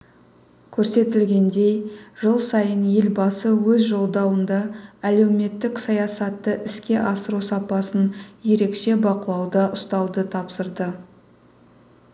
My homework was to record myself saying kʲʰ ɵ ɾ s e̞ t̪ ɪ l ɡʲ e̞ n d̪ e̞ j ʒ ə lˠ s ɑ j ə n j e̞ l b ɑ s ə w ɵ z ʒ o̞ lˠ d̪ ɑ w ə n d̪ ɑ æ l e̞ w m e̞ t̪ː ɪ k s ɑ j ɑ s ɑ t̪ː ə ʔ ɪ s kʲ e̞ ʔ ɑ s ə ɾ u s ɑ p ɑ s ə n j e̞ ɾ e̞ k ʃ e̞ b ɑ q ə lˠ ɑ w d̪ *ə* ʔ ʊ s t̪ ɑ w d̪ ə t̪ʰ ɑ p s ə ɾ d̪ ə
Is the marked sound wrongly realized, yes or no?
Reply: yes